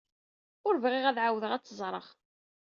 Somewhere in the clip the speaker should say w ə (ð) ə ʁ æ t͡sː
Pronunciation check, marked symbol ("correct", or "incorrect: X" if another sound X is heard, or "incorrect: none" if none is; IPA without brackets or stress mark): correct